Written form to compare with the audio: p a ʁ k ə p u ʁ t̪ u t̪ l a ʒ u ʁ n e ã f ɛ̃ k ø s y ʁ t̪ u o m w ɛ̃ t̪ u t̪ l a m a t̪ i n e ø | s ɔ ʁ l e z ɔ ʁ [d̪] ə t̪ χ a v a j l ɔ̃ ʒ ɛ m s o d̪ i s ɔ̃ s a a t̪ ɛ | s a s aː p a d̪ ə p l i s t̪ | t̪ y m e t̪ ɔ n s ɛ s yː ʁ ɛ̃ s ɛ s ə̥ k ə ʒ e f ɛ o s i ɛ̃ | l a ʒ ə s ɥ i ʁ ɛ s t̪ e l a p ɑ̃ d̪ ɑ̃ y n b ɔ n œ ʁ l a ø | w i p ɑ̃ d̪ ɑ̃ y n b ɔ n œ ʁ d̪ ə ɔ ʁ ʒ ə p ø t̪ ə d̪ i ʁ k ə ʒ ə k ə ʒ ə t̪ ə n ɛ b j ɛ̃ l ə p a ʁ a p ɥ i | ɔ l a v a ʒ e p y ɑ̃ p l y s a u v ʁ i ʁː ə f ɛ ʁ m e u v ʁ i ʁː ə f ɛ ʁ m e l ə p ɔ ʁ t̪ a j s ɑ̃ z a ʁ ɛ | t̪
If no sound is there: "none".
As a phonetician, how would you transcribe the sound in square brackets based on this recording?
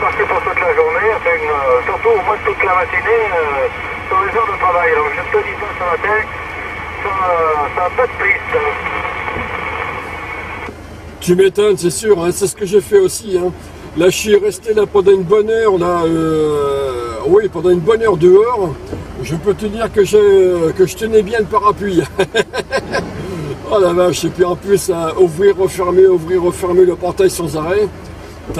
d̪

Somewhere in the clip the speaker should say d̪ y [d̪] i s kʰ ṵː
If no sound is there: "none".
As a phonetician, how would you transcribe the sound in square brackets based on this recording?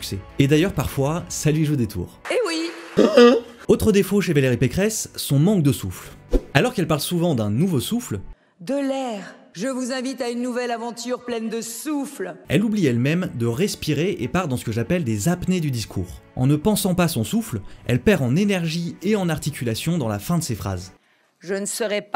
d̪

